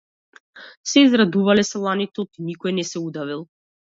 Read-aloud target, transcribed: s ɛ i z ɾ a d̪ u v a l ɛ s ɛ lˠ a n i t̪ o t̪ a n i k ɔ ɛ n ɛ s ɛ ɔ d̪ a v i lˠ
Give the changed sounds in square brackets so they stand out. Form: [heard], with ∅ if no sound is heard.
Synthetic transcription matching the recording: s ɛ i z ɾ a d̪ u v a l ɛ s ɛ lˠ a n i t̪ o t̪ [i] n i k ɔ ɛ n ɛ s ɛ [u] d̪ a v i lˠ